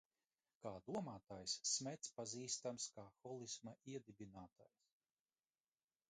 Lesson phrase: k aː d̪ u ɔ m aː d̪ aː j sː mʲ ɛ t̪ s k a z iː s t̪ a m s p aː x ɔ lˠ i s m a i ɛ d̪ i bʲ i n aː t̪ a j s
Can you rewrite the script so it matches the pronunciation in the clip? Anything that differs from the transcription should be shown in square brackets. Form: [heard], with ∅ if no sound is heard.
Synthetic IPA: k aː d̪ u ɔ m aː [t̪] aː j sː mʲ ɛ t̪ s [p] a z iː s t̪ a m s [k] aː x ɔ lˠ i s m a i ɛ d̪ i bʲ i n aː t̪ a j s